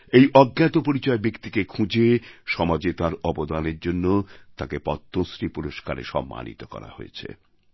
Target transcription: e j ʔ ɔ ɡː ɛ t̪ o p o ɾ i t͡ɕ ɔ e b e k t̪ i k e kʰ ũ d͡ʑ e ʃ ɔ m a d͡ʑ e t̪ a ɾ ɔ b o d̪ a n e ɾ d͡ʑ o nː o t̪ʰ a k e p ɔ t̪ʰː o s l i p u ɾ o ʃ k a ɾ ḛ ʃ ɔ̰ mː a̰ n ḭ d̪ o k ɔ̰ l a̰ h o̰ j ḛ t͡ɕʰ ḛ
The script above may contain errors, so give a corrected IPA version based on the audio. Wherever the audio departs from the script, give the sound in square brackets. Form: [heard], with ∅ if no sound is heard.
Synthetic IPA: e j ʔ ɔ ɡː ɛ t̪ o p o ɾ i t͡ɕ ɔ e b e k t̪ i k e kʰ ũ d͡ʑ e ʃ ɔ m a d͡ʑ e t̪ a ɾ ɔ b o d̪ a n e ɾ d͡ʑ o nː o [t̪] a k e p ɔ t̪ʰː o s [ɾ] i p u ɾ o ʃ k a ɾ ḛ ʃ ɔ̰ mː a̰ n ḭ [t̪] o k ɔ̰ [ɾ] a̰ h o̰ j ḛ t͡ɕʰ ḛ